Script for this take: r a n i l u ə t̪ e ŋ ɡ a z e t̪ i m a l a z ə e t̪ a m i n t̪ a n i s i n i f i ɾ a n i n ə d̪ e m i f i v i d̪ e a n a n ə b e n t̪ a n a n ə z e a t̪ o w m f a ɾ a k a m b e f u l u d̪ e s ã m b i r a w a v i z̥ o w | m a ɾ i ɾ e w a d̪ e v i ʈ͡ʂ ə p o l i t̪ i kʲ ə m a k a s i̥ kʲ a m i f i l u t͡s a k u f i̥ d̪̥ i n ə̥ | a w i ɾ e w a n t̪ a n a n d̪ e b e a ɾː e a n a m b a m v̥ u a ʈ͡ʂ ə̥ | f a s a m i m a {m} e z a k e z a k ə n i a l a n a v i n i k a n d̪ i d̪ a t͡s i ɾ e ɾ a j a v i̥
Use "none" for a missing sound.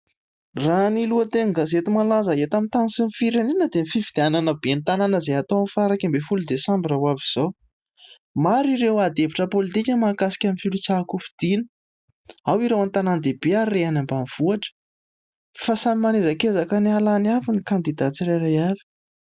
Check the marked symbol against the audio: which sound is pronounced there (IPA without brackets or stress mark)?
n